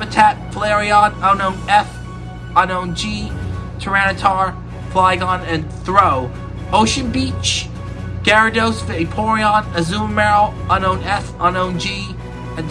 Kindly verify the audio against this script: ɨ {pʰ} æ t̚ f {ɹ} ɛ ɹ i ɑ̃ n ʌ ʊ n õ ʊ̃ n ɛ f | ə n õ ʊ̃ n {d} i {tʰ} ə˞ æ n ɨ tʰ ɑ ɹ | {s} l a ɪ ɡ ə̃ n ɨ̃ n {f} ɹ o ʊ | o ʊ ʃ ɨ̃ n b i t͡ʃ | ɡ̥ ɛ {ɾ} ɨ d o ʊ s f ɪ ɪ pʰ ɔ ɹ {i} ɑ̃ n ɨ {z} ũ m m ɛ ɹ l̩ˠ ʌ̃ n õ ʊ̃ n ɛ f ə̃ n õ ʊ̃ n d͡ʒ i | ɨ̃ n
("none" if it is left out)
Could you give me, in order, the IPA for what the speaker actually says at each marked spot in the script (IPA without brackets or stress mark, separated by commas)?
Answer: tʰ, l, d͡ʒ, tʰ, f, θ, ɹ, i, z